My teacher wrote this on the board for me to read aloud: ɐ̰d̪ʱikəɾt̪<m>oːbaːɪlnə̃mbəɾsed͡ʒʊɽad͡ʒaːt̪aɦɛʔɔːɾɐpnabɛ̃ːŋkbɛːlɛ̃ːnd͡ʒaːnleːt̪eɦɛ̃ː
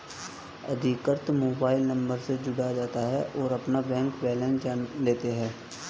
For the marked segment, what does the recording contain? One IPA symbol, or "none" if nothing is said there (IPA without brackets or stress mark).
m